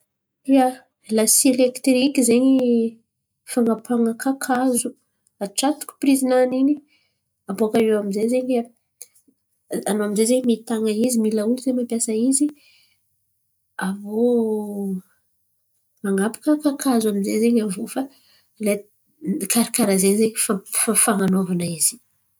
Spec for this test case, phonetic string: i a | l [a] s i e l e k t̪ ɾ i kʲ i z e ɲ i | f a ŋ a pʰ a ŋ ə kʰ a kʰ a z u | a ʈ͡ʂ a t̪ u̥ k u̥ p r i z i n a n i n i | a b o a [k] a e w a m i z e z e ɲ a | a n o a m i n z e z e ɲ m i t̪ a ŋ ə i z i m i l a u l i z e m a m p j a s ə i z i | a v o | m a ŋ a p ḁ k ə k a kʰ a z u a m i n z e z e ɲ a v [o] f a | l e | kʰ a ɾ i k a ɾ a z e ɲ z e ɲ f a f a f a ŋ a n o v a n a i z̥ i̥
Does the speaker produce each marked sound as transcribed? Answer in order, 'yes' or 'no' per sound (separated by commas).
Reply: yes, yes, yes